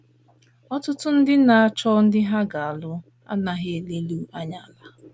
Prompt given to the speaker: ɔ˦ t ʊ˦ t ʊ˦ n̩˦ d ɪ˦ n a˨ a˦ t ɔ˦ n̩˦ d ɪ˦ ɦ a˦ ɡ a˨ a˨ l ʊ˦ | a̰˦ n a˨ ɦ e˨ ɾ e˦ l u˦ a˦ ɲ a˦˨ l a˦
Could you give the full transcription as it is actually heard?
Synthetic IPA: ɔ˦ t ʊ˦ t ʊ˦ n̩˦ d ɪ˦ n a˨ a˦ t͡ʃ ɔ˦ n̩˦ d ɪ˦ ɦ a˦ ɡ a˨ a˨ l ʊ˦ | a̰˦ n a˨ ɦ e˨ l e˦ l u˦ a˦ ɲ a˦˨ l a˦